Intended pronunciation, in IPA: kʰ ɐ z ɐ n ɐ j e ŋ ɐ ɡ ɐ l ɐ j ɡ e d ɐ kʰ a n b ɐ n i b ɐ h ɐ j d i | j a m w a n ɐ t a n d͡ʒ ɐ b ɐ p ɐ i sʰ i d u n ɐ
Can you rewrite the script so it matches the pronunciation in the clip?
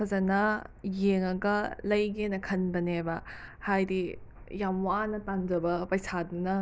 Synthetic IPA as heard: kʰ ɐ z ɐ n ɐ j e ŋ ɐ ɡ ɐ l ɐ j ɡ e n ɐ kʰ ɐ n b ɐ n e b ɐ h a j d i | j a m w a n ɐ t a n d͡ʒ ɐ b ɐ p ɐ j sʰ a d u n ɐ